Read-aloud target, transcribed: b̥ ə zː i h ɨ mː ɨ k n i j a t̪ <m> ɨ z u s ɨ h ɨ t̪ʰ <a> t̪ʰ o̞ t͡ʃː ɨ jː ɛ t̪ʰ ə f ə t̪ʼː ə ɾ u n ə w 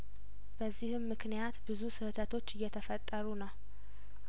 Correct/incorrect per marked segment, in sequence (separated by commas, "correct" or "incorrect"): incorrect, incorrect